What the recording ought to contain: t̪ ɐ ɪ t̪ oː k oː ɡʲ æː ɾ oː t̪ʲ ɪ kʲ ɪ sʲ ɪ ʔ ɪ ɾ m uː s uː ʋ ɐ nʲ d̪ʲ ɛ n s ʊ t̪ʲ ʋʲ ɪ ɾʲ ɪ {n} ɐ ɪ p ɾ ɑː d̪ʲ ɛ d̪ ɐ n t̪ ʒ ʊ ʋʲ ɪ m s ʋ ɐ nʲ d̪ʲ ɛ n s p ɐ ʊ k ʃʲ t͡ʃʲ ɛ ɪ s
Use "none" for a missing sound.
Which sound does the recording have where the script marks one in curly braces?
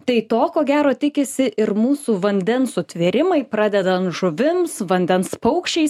m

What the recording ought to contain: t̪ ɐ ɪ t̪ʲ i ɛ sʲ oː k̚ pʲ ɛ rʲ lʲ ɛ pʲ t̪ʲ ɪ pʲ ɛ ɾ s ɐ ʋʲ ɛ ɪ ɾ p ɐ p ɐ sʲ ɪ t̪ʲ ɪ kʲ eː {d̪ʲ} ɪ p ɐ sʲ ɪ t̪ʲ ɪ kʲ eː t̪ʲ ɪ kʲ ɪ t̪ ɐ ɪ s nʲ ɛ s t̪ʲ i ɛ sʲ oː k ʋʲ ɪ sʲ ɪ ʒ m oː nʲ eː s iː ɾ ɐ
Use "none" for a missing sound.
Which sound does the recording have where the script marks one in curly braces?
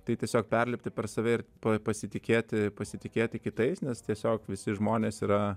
t̪ʲ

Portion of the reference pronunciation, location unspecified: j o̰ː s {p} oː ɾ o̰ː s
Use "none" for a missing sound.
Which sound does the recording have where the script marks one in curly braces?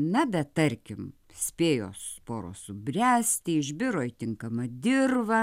p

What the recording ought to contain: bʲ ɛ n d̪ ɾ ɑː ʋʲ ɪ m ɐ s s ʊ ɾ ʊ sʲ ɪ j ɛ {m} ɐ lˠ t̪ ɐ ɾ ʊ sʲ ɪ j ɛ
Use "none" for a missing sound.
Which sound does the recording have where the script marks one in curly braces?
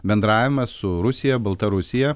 b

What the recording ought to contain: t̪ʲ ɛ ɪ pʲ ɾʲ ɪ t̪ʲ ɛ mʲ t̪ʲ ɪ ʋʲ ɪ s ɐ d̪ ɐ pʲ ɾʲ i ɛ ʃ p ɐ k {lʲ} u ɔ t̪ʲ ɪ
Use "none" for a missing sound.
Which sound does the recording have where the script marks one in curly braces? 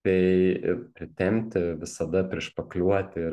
lʲ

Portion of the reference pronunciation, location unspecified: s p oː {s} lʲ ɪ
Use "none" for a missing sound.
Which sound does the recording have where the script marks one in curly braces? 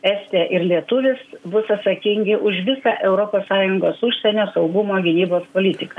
none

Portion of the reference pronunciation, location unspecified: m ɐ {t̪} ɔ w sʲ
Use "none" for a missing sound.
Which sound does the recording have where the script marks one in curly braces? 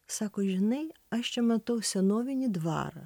t̪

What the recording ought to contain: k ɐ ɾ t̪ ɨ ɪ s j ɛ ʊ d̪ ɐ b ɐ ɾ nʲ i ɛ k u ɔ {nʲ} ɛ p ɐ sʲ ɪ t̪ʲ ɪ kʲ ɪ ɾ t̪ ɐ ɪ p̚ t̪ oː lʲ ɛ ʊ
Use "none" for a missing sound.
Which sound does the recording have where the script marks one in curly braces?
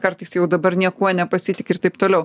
nʲ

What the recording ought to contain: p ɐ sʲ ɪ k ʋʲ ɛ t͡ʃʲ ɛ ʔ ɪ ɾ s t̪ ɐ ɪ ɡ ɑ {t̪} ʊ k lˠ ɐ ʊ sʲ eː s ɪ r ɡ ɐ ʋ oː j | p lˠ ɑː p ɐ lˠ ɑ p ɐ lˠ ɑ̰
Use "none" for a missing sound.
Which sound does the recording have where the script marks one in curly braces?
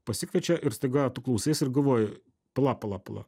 t̪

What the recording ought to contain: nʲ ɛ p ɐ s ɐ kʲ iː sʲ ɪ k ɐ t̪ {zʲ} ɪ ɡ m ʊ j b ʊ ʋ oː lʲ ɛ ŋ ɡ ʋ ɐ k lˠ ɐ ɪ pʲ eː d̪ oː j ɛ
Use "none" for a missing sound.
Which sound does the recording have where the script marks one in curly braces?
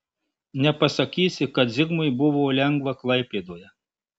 zʲ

